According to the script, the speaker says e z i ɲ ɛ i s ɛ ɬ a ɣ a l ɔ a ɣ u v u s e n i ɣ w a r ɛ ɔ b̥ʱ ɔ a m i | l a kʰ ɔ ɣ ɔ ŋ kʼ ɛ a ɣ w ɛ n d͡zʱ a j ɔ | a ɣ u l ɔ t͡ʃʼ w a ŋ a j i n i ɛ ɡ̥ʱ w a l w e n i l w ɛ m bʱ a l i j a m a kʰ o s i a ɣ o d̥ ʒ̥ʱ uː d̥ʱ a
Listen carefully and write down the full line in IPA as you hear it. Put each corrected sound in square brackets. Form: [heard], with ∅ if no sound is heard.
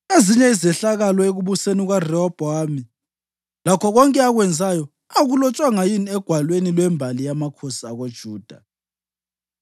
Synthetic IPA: e z i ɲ ɛ i [z] ɛ ɬ a ɣ a l ɔ [e] ɣ u [β] u s e n i ɣ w a r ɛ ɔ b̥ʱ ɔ a m i | l a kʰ ɔ ɣ ɔ ŋ kʼ ɛ a ɣ w ɛ n d͡zʱ a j ɔ | a ɣ u l ɔ t͡ʃʼ w a ŋ a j i n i ɛ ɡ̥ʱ w a l w e n i l w ɛ m bʱ a l i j a m a kʰ o s i a ɣ o d̥ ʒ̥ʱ uː d̥ʱ a